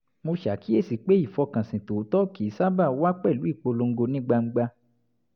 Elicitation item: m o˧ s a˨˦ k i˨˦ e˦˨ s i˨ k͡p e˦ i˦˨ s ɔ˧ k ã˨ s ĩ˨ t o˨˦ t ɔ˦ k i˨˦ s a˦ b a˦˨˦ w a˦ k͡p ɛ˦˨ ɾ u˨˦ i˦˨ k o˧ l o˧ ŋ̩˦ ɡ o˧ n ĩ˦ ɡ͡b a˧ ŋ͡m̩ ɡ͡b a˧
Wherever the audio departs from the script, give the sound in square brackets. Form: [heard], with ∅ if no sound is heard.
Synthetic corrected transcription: m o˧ [ʃ] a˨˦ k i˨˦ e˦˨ s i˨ k͡p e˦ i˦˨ [f] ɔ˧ k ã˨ s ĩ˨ t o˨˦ t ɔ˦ k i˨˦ s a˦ b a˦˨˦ w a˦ k͡p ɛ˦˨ [l] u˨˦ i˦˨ [k͡p] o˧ l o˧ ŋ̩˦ ɡ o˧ n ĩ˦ ɡ͡b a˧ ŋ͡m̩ ɡ͡b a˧